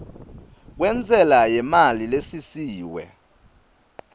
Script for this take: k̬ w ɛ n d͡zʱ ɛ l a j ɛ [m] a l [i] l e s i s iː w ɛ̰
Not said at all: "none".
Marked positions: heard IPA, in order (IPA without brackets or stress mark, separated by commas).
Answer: m, i